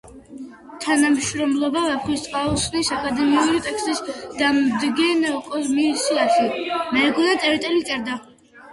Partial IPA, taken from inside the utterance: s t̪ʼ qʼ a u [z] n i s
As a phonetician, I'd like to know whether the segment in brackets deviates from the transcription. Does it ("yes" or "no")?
yes